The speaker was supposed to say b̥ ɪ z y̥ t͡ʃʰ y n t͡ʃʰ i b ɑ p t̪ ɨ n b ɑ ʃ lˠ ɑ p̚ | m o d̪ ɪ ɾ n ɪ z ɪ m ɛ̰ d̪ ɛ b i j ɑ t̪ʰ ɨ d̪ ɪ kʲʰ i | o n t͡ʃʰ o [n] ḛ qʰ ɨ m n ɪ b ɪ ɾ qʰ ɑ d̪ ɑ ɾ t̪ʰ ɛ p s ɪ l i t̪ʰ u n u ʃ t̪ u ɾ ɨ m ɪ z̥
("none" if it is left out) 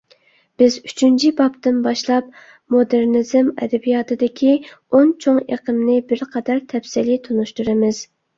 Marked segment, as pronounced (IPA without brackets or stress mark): ŋ